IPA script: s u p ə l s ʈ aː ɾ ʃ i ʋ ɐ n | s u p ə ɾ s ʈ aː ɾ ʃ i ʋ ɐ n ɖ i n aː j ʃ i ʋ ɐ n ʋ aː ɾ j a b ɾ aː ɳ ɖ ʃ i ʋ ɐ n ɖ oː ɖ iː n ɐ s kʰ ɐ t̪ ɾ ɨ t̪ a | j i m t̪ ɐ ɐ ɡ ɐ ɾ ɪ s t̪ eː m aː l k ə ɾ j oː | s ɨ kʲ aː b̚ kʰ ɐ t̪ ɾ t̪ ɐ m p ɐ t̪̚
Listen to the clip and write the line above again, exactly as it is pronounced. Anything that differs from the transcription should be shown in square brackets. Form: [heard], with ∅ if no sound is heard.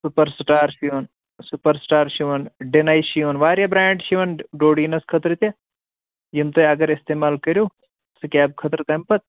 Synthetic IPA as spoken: s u p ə [ɾ] s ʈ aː ɾ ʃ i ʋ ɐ n | s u p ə ɾ s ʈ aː ɾ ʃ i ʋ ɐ n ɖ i n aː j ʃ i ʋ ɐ n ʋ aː ɾ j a b ɾ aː ɳ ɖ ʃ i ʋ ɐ n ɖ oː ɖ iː n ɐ s kʰ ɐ t̪ ɾ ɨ t̪ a | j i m t̪ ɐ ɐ ɡ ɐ ɾ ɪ s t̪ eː m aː l k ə ɾ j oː | s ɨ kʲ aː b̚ kʰ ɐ t̪ ɾ t̪ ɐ m p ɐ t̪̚

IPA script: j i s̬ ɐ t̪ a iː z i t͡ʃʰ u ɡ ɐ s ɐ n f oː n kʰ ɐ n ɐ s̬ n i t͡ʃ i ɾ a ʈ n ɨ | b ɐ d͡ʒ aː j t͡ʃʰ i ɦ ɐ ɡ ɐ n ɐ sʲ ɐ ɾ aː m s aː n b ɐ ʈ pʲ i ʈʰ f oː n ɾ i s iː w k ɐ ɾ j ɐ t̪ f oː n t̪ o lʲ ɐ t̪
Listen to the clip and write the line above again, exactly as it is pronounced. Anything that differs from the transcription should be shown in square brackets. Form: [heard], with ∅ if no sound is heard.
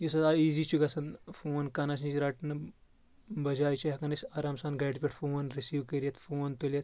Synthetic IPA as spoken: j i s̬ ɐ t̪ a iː z i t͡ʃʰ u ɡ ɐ s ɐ n f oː n [k] ɐ n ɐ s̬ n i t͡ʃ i ɾ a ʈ n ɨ | b ɐ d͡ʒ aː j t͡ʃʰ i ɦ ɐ [k] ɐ n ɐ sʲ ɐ ɾ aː m s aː n [ɡ] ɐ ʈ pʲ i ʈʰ f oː n ɾ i s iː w k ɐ ɾ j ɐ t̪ f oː n t̪ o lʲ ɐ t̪

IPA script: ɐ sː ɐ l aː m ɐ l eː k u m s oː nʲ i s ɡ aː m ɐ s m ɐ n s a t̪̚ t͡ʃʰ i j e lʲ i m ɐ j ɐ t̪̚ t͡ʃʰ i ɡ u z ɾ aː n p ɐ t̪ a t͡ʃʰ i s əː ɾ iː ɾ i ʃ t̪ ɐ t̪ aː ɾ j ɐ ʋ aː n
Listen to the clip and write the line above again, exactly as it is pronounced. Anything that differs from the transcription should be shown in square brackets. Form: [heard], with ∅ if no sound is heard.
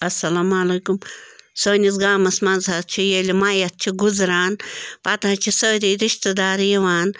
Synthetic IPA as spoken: ɐ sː ɐ l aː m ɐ l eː k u m s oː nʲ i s ɡ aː m ɐ s m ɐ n [z] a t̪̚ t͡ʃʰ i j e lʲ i m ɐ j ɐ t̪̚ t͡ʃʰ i ɡ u z ɾ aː n p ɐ t̪ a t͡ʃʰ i s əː ɾ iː ɾ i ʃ t̪ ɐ [d̪] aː ɾ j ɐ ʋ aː n

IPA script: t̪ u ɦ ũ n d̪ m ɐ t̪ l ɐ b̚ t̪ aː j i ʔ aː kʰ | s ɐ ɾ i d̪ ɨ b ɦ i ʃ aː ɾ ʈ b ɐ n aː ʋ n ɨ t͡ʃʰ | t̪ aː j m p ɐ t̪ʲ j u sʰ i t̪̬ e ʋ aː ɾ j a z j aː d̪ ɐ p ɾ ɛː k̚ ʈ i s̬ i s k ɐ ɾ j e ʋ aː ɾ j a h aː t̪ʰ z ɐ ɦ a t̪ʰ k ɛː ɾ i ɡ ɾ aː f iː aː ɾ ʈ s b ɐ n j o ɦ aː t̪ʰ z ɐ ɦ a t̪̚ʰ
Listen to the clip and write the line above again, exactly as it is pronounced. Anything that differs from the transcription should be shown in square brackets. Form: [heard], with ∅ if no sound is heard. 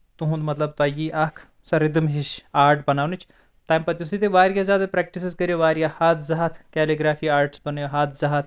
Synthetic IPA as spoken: t̪ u ɦ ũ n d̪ m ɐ t̪ l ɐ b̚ t̪ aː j i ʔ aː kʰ | s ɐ ɾ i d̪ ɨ [m] ɦ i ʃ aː ɾ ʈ b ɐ n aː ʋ n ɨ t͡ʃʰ | t̪ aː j m p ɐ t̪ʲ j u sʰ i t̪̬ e ʋ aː ɾ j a z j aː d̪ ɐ p ɾ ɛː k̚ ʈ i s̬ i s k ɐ ɾ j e ʋ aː ɾ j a h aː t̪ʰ z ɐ ɦ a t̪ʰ k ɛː [l] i ɡ ɾ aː f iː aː ɾ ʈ s b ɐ n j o ɦ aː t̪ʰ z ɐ ɦ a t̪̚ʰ

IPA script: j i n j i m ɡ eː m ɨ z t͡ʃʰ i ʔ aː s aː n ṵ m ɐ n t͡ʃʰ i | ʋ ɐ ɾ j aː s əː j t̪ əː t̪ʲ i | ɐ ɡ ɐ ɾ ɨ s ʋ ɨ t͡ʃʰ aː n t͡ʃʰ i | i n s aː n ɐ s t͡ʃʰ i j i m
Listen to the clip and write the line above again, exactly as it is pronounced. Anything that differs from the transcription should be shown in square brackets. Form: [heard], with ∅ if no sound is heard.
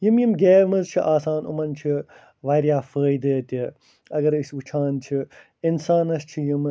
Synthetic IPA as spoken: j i [m] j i m ɡ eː m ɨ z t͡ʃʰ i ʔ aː s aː n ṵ m ɐ n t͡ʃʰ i | ʋ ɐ ɾ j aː [f] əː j [d̪] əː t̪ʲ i | ɐ ɡ ɐ ɾ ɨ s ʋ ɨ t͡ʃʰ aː n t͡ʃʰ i | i n s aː n ɐ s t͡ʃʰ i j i m

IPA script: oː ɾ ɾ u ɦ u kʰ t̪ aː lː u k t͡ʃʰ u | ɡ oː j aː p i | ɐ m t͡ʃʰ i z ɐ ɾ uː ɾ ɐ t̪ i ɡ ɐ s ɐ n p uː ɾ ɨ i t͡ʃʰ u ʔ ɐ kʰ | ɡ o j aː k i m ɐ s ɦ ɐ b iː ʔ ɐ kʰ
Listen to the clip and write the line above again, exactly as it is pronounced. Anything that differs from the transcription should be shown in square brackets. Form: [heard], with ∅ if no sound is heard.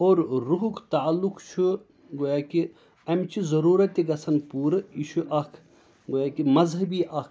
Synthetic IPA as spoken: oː ɾ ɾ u ɦ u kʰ t̪ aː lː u k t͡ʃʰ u | ɡ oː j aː [k] i | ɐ m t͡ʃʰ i z ɐ ɾ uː ɾ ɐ t̪ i ɡ ɐ s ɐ n p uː ɾ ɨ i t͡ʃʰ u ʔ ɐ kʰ | ɡ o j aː k i m ɐ [z] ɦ ɐ b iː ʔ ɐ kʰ

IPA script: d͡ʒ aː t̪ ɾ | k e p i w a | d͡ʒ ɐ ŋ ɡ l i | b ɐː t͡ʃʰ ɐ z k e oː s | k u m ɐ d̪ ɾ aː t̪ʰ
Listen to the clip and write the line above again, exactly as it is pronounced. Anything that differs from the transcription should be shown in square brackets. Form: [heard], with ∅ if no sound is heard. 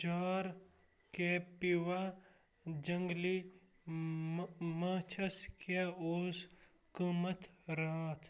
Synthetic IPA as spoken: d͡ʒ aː [∅] ɾ | k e p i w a | d͡ʒ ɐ ŋ ɡ l i | [m] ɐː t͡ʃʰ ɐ [s] k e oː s | k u m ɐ [t̪] ɾ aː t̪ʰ

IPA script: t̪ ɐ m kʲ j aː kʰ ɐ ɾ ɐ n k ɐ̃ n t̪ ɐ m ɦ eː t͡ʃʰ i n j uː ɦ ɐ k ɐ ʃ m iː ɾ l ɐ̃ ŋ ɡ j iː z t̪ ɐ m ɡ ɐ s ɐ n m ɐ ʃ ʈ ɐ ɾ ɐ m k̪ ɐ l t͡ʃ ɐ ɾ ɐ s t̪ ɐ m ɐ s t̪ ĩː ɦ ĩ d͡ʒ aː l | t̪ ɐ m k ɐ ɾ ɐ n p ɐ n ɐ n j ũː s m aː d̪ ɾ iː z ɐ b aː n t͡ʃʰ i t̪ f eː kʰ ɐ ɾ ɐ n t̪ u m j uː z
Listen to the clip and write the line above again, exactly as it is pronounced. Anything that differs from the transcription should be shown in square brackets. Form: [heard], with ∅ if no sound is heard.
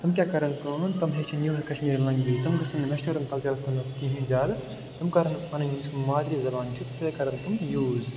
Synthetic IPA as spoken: t̪ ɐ m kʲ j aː [k] ɐ ɾ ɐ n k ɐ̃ n t̪ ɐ m ɦ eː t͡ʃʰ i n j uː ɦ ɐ k ɐ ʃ m iː ɾ l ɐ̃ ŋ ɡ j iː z t̪ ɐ m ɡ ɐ s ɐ n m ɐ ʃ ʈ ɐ ɾ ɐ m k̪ ɐ l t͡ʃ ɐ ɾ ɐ s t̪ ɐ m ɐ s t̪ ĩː ɦ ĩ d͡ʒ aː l | t̪ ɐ m k ɐ ɾ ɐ n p ɐ n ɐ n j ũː s m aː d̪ ɾ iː z ɐ b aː n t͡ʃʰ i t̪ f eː [k] ɐ ɾ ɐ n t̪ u m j uː z

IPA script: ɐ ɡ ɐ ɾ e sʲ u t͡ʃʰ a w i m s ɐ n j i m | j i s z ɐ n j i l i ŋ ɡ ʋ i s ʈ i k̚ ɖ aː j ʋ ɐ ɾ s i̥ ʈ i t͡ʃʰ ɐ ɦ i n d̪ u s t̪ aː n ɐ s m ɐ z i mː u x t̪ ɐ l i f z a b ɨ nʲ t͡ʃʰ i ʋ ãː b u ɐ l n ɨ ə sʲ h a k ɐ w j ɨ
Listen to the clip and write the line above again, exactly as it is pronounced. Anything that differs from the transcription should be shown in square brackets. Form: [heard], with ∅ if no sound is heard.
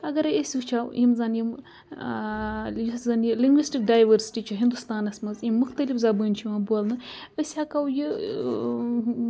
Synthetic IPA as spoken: ɐ ɡ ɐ ɾ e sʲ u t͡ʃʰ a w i m [z] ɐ n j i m | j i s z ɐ n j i l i ŋ ɡ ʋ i s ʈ i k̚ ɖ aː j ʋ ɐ ɾ s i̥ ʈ i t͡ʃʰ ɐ ɦ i n d̪ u s t̪ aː n ɐ s m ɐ z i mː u x t̪ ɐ l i f z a b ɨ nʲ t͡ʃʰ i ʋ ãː b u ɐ l n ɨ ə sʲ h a k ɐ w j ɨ

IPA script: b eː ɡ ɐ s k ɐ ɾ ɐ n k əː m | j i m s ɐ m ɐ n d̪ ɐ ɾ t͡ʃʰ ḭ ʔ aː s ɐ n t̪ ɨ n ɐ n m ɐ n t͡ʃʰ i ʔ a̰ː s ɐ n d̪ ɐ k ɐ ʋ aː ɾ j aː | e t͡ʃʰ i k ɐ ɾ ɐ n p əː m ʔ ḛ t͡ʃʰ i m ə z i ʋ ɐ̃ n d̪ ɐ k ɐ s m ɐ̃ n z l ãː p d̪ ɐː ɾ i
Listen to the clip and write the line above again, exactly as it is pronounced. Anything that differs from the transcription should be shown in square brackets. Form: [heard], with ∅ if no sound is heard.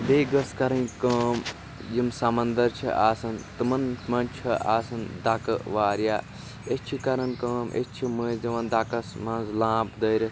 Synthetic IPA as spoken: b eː ɡ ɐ s k ɐ ɾ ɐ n k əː m | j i m s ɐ m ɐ n d̪ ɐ ɾ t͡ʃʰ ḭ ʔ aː s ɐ n t̪ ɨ [m] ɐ n m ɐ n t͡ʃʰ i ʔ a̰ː s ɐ n d̪ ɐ k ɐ ʋ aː ɾ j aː | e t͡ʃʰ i k ɐ ɾ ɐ n [k] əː m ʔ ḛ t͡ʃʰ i m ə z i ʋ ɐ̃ n d̪ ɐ k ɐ s m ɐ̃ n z l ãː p d̪ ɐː ɾ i

